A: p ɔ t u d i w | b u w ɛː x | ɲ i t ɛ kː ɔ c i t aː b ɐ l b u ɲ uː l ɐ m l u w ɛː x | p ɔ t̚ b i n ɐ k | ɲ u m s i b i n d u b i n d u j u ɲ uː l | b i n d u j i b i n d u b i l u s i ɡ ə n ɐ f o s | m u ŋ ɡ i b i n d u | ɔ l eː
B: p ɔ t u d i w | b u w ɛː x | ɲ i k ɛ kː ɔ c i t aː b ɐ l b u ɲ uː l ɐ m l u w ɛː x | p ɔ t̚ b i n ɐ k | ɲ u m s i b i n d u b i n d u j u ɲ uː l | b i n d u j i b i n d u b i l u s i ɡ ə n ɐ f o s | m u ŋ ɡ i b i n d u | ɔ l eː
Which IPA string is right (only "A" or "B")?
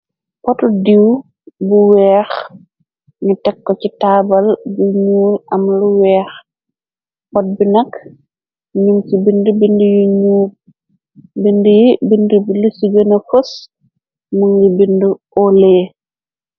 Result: A